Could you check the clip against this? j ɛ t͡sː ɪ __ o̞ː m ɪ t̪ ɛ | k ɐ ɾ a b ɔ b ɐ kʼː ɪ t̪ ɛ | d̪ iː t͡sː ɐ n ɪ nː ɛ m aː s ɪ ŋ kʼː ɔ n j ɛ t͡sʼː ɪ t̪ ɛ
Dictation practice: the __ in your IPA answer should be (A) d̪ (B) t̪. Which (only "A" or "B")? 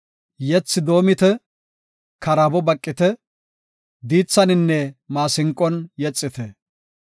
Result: A